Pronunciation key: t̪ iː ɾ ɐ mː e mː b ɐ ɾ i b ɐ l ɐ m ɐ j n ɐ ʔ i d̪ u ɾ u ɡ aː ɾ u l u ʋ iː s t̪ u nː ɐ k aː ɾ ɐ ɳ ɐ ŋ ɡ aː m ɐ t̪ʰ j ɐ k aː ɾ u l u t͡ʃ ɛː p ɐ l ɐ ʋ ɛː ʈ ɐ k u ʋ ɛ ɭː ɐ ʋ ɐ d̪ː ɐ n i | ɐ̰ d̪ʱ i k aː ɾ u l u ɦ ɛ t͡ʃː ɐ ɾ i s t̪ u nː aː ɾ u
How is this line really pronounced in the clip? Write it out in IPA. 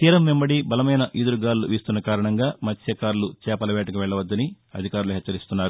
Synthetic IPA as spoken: t̪ iː ɾ ɐ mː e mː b ɐ ɽ i b ɐ l ɐ m ɐ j n ɐ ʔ i d̪ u ɾ u ɡ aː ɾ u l u ʋ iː s t̪ u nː ɐ k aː ɾ ɐ ɳ ɐ ŋ ɡ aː m ɐ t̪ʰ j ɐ k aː ɾ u l u t͡ʃ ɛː p ɐ l ɐ ʋ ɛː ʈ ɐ k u ʋ ɛ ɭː ɐ ʋ ɐ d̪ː ɐ n i | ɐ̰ d̪ʱ i k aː ɾ u l u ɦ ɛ t͡ʃː ɐ ɾ i s t̪ u nː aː ɾ u

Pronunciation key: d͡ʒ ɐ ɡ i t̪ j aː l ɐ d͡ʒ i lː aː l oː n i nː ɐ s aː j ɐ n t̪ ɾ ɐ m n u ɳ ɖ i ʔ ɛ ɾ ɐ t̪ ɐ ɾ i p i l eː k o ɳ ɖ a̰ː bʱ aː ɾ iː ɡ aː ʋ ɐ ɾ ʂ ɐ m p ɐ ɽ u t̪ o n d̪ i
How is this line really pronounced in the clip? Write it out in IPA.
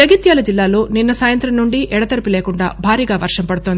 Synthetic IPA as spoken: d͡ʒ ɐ ɡ i t̪ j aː l ɐ d͡ʒ i lː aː l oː n i nː ɐ s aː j ɐ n t̪ ɾ ɐ m n u ɳ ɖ i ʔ ɛ ɽ ɐ t̪ ɐ ɾ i p i l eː k u ɳ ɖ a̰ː bʱ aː ɾ iː ɡ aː ʋ ɐ ɾ ʂ ɐ m p ɐ ɽ u t̪ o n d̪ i

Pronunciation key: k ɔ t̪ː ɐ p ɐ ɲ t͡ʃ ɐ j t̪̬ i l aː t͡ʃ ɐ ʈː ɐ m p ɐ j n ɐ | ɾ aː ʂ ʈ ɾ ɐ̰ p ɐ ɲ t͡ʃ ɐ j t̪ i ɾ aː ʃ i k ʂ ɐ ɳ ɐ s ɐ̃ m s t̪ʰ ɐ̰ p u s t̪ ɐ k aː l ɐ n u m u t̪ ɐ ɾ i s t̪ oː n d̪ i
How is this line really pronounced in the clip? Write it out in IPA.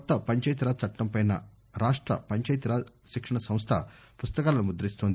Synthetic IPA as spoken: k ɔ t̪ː ɐ p ɐ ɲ t͡ʃ ɐ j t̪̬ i ɾ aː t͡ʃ ɐ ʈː ɐ m p ɐ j n ɐ | ɾ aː ʂ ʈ ɾ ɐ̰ p ɐ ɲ t͡ʃ ɐ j t̪ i ɾ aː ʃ i k ʂ ɐ ɳ ɐ s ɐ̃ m s t̪ʰ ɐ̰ p u s t̪ ɐ k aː l ɐ n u m u d̪ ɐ ɾ i s t̪ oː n d̪ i

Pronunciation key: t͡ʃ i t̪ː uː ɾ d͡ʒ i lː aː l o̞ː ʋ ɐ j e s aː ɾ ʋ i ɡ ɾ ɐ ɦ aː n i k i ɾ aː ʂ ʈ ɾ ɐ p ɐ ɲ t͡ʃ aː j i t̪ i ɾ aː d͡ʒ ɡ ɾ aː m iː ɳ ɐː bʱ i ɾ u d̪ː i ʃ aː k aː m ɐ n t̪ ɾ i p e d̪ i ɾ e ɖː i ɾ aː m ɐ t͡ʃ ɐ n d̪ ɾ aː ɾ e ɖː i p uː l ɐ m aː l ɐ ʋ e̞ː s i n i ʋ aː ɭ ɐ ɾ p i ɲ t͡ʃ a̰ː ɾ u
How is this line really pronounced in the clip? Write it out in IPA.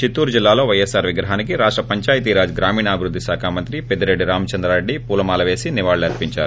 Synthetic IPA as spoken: t͡ʃ i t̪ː uː ɾ d͡ʒ i lː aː l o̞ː ʋ ɐ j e s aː ɾ ʋ i ɡ ɾ ɐ ɦ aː n i k i ɾ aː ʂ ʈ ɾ ɐ p ɐ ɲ t͡ʃ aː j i t̪ i ɾ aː d͡ʒ ɡ ɾ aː m iː ɳ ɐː bʱ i ɾ u d̪ː i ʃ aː kʰ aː m ɐ n t̪ ɾ i p e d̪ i ɾ e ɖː i ɾ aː m ɐ t͡ʃ ɐ n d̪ ɾ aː ɾ e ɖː i p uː l ɐ m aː l ɐ ʋ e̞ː s i n i ʋ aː ɭ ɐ ɾ p i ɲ t͡ʃ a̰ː ɾ u

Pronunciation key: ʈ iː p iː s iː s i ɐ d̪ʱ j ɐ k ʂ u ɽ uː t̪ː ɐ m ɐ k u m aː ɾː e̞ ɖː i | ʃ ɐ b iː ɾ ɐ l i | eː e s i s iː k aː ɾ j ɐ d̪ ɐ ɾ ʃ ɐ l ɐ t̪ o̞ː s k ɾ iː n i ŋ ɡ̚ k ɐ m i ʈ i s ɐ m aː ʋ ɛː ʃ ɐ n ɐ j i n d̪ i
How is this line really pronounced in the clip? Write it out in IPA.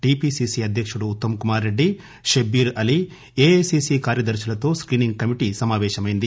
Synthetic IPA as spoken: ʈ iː p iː s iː s i ɐ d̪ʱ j ɐ k ʂ u ɽ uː t̪ː ɐ m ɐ k u m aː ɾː e̞ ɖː i | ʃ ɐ b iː ɾ ɐ l i | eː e s i s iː k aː ɾ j ɐ d̪ ɐ ɾ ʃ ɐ l ɐ t̪ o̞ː s k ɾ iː n i ŋ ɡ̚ k ɐ m i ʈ i s ɐ m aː ʋ ɛː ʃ ɐ m ɐ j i n d̪ i

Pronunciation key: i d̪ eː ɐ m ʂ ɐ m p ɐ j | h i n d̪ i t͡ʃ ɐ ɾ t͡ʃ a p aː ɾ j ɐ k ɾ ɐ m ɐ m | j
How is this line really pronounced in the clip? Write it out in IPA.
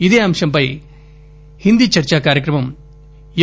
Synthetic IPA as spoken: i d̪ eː ɐ m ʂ ɐ m p ɐ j | h i n d̪ i t͡ʃ ɐ ɾ t͡ʃ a k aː ɾ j ɐ k ɾ ɐ m ɐ m | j

